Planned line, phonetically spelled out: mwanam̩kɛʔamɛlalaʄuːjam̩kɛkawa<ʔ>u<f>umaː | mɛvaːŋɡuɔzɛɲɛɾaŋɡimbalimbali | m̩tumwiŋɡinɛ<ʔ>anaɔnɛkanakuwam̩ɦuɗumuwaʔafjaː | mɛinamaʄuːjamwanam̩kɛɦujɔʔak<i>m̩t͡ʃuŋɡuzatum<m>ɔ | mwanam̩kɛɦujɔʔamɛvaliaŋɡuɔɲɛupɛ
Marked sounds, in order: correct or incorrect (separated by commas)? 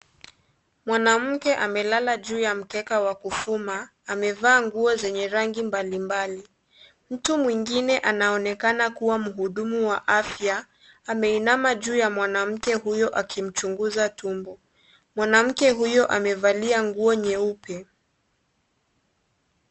incorrect, correct, correct, correct, incorrect